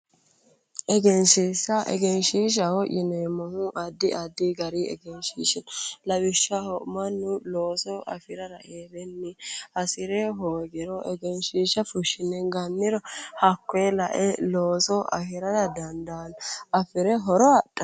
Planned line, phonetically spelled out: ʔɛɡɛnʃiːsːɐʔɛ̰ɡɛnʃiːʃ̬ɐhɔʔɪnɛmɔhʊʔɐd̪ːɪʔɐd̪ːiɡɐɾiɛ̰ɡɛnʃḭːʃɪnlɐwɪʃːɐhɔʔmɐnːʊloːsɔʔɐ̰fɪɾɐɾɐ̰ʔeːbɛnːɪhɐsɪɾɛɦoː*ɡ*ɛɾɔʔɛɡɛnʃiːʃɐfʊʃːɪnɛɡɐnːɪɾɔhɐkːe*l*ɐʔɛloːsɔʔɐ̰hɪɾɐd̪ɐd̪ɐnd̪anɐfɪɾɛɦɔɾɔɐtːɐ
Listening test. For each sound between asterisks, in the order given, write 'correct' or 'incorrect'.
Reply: correct, correct

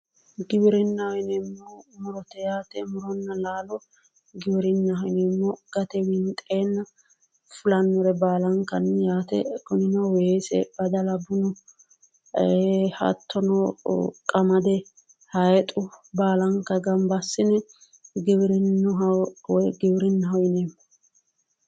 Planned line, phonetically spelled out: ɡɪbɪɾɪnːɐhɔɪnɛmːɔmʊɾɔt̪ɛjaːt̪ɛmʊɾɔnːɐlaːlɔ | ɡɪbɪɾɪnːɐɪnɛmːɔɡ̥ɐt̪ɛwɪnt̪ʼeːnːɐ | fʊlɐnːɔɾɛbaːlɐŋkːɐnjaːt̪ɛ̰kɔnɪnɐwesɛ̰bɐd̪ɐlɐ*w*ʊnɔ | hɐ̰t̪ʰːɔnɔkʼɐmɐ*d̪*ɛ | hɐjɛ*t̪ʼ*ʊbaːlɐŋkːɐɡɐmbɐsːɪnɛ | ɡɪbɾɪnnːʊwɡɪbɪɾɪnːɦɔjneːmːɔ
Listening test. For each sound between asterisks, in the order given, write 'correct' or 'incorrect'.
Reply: incorrect, correct, correct

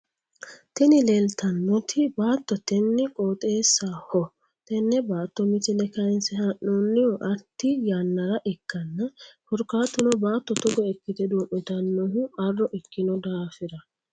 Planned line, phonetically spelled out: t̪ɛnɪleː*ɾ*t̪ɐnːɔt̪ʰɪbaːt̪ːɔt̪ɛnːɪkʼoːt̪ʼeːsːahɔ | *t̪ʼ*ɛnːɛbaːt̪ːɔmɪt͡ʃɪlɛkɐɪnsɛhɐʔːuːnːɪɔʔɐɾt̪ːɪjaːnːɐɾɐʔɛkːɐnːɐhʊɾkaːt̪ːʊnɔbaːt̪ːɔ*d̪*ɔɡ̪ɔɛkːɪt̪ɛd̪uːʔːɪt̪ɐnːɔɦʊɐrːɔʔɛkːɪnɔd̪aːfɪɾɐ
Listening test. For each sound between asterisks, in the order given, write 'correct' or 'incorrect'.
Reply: incorrect, incorrect, incorrect

